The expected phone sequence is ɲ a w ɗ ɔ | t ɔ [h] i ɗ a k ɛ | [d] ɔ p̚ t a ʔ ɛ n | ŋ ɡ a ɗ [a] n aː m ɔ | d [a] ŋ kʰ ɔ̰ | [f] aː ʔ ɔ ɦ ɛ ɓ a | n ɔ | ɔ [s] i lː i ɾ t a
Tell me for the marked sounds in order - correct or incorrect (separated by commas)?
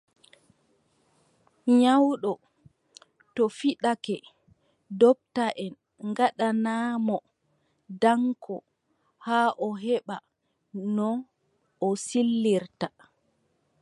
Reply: incorrect, correct, correct, correct, incorrect, correct